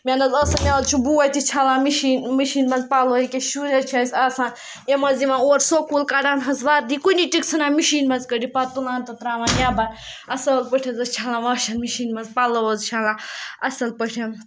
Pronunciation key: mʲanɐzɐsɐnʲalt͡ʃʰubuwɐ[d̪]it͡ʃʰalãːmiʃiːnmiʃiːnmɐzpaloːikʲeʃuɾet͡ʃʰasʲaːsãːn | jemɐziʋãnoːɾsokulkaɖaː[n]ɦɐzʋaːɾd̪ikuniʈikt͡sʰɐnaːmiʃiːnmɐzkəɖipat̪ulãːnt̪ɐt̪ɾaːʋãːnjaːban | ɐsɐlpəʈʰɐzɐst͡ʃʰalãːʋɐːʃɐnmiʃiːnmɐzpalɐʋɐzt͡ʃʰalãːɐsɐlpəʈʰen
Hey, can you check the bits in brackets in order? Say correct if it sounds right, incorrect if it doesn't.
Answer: incorrect: t̪, correct

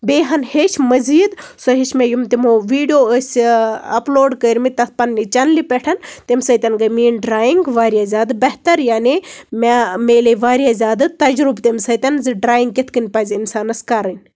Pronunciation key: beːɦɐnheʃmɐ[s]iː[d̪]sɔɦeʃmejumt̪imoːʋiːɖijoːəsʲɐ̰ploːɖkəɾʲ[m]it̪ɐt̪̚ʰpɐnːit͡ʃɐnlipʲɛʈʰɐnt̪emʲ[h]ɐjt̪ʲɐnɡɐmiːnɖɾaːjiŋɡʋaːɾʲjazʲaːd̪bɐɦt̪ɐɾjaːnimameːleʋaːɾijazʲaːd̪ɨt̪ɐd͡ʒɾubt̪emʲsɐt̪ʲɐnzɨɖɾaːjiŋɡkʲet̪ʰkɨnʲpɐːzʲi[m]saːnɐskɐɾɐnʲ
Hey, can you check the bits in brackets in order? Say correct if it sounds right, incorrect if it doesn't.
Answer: incorrect: z, correct, correct, incorrect: s, incorrect: n

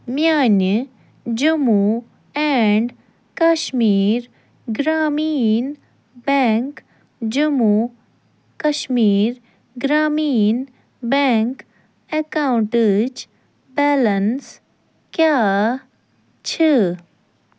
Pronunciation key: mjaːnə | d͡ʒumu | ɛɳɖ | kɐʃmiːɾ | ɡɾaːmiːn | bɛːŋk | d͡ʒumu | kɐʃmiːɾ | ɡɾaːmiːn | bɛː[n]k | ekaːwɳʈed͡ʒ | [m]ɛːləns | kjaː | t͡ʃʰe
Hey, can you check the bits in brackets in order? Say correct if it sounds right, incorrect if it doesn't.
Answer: incorrect: ŋ, incorrect: b

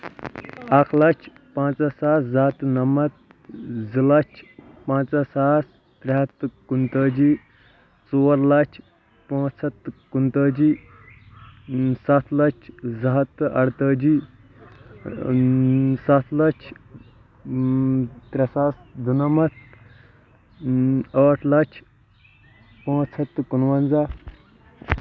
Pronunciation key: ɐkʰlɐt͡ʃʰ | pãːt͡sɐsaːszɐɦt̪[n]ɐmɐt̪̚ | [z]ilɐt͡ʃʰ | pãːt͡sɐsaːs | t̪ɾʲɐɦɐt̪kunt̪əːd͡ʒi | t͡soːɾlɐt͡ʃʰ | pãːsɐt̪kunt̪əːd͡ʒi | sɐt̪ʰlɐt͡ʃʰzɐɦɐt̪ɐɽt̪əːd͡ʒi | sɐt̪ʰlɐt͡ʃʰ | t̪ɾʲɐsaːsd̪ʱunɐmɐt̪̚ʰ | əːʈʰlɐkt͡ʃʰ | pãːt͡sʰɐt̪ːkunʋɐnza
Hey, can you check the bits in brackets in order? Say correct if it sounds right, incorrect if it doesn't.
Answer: correct, correct

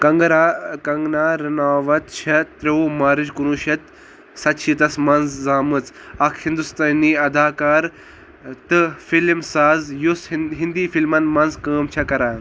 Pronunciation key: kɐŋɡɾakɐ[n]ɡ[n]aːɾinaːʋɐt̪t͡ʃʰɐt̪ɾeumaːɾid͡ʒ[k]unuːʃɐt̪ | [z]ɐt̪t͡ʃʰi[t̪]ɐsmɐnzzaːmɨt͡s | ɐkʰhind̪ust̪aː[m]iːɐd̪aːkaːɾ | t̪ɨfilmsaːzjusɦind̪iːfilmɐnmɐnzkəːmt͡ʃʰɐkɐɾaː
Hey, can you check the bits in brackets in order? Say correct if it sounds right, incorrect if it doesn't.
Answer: incorrect: ŋ, correct, correct, incorrect: s, correct, incorrect: n

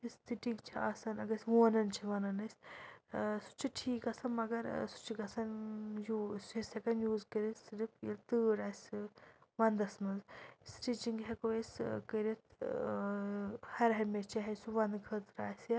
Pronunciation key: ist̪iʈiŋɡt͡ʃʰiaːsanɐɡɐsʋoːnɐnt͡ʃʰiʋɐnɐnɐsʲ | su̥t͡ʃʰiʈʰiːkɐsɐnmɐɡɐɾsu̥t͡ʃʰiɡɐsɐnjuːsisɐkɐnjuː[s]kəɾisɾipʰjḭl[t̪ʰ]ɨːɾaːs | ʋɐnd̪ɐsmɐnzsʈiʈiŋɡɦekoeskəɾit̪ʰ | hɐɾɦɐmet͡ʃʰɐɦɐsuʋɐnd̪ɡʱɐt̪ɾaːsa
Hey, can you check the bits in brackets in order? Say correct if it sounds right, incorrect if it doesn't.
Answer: incorrect: z, incorrect: t̪

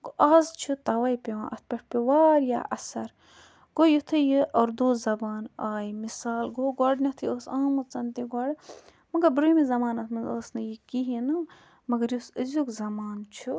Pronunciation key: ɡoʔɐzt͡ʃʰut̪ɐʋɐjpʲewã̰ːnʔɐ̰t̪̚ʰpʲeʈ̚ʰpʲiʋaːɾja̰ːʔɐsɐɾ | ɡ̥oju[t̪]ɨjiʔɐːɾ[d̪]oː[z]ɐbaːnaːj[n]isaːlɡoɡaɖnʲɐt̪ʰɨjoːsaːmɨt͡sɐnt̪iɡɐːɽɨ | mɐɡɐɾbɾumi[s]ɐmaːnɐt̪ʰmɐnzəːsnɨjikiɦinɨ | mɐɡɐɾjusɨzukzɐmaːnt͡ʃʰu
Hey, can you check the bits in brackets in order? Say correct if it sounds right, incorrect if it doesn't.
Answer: incorrect: t̪ʰ, correct, correct, incorrect: m, incorrect: z

